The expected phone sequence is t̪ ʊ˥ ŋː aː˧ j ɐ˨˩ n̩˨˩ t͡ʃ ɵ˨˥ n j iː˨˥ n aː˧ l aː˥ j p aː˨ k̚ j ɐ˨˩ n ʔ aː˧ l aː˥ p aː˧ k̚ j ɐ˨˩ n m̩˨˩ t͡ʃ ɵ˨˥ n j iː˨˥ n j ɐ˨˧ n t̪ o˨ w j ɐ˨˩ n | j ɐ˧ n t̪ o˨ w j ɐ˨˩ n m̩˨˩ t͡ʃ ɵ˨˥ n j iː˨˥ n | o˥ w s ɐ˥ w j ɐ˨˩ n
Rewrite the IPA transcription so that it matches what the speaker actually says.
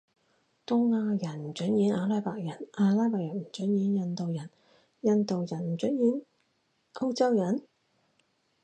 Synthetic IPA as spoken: t̪ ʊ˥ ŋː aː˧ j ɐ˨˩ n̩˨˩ t͡ʃ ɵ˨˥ n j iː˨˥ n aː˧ l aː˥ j p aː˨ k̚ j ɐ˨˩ n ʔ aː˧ l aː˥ p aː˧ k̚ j ɐ˨˩ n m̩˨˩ t͡ʃ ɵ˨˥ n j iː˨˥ n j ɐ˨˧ n t̪ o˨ w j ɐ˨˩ n | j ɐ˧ n t̪ o˨ w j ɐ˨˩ n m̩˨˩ t͡ʃ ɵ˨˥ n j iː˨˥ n | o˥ w t͡s ɐ˥ w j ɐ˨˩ n